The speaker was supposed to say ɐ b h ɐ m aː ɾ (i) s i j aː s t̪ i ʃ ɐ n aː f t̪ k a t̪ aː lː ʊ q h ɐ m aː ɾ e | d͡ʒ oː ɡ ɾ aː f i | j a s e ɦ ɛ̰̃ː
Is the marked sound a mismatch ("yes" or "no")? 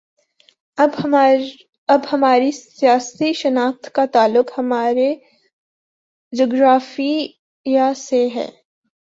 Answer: no